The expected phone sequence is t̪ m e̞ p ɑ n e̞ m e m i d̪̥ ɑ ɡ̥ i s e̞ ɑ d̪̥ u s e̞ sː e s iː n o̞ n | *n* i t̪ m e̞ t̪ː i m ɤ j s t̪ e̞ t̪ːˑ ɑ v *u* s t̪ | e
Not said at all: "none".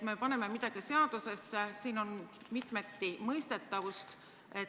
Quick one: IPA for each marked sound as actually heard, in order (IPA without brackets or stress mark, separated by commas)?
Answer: m, u